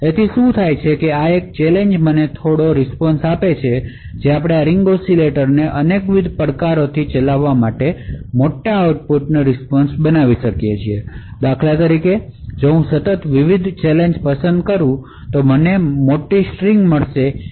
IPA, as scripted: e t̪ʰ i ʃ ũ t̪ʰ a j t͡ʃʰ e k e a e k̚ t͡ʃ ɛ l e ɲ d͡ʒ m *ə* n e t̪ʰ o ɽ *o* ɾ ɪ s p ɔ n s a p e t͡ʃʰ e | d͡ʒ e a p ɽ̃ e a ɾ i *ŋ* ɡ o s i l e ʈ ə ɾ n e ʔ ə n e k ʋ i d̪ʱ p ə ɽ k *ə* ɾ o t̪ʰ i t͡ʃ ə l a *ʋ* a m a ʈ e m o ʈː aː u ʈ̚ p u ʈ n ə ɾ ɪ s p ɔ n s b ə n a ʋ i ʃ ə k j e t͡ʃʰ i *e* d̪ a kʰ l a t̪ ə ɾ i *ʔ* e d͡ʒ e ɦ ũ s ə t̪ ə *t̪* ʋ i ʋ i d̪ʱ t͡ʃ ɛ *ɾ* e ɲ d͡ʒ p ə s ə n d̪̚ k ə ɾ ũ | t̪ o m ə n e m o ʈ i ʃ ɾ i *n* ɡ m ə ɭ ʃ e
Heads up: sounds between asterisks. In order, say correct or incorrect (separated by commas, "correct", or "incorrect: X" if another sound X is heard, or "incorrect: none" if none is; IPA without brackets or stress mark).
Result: correct, correct, correct, incorrect: a, incorrect: ʋː, correct, incorrect: k, correct, incorrect: l, incorrect: ŋ